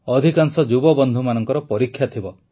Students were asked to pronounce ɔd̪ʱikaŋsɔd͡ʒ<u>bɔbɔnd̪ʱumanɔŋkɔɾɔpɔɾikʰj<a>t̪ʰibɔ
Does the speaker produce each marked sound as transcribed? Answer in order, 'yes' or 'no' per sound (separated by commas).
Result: yes, yes